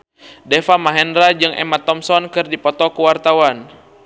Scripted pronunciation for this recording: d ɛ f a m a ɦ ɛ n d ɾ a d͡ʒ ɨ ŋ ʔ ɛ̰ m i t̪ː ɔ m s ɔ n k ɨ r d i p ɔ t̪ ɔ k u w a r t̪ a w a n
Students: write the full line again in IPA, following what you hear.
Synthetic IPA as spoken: d ɛ f a m a ɦ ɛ n d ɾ a d͡ʒ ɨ ŋ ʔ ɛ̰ m a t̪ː ɔ m s ɔ n k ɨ r d i p ɔ t̪ ɔ k u w a r t̪ a w a n

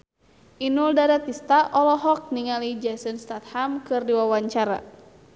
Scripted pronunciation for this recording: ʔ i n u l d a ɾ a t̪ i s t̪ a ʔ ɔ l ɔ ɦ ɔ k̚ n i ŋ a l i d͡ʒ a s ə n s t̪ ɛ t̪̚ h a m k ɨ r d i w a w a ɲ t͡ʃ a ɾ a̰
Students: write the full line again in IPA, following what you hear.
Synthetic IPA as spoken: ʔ i n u l d a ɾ a t̪ i s t̪ a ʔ ɔ l ɔ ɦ ɔ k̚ n i ŋ a l i d͡ʒ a s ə n s t̪ a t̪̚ h a m k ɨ r d i w a w a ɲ t͡ʃ a ɾ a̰

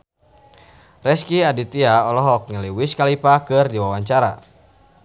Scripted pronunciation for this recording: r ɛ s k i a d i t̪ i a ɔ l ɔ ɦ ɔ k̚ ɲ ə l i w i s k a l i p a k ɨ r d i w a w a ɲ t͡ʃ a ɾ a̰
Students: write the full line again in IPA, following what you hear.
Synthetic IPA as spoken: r ɛ s k i a d i t̪ i a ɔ l ɔ ɦ ɔ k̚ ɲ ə l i w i s k a l i p a k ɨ r d i w a w a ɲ t͡ʃ a ɾ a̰

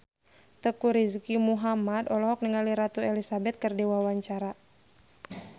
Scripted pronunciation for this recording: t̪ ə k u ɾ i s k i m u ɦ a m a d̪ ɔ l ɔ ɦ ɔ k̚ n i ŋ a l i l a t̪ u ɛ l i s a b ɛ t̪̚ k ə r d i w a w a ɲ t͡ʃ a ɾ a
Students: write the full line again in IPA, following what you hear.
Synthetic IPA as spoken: t̪ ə k u ɾ i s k i m u ɦ a m a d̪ ɔ l ɔ ɦ ɔ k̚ n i ŋ a l i ɾ a t̪ u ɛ l i s a b ɛ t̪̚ k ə r d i w a w a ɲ t͡ʃ a ɾ a

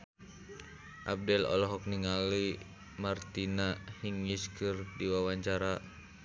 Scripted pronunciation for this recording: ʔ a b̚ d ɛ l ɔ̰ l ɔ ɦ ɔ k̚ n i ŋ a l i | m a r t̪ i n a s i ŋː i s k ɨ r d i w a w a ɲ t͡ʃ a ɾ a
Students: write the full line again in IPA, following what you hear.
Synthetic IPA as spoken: ʔ a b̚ d ɛ l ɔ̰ l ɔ ɦ ɔ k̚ n i ŋ a l i | m a r t̪ i n a h i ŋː i s k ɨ r d i w a w a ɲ t͡ʃ a ɾ a

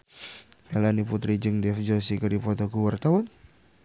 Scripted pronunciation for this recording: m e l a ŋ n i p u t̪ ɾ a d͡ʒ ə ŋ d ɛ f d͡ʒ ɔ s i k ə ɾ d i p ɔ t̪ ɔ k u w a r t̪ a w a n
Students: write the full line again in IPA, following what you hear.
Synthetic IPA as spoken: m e l a n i p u t̪ ɾ i d͡ʒ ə ŋ d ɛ f d͡ʒ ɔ s i k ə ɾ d i p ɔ t̪ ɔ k u w a r t̪ a w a n

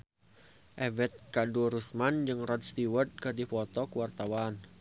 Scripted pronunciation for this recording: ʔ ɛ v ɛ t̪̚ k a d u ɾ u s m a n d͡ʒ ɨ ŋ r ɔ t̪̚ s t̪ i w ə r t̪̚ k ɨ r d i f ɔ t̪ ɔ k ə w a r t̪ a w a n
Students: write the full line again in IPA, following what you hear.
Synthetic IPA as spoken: ʔ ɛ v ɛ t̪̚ k a d u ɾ u s m a n d͡ʒ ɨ ŋ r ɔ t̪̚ s t̪ i w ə r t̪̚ k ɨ r d i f ɔ t̪ ɔ k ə w a r t̪ a w a n

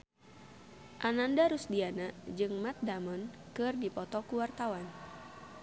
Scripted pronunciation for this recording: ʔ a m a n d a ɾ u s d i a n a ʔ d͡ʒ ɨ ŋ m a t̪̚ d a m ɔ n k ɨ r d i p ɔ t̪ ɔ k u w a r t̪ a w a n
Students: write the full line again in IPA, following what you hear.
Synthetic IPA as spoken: ʔ a n a n d a ɾ u s d i a n a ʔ d͡ʒ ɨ ŋ m a t̪̚ d a m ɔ n k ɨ r d i p ɔ t̪ ɔ k u w a r t̪ a w a n

